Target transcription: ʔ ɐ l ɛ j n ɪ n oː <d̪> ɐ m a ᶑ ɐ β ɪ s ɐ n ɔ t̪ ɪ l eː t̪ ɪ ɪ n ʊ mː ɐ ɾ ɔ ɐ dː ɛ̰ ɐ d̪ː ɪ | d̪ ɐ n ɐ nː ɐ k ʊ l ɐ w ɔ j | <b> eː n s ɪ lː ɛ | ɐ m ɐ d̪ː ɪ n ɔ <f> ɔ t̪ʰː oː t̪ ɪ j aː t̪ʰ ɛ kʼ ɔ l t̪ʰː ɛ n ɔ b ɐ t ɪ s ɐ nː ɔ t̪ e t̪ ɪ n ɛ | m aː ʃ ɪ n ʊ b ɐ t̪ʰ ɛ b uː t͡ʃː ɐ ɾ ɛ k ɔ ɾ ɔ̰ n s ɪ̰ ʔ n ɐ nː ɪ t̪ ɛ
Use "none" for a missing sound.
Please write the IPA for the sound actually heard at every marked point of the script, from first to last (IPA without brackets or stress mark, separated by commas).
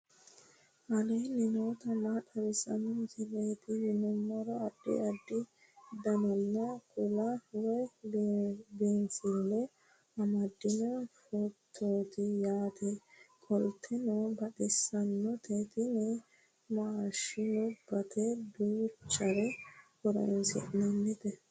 t̪, b, f